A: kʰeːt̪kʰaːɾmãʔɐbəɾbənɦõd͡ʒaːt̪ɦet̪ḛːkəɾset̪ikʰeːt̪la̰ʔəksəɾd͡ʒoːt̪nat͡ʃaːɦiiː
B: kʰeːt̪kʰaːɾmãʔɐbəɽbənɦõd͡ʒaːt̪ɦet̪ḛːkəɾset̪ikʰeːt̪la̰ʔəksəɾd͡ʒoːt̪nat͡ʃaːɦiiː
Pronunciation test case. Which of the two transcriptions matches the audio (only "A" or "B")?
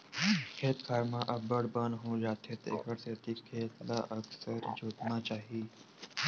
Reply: B